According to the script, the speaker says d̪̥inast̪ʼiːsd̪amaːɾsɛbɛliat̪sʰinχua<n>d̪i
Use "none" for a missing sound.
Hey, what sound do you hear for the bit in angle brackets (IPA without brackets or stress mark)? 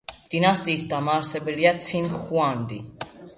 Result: n